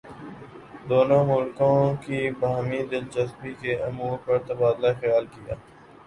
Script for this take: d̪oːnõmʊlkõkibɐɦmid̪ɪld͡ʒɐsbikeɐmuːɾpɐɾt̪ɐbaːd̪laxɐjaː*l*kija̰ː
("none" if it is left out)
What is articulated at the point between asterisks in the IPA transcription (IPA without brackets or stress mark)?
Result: l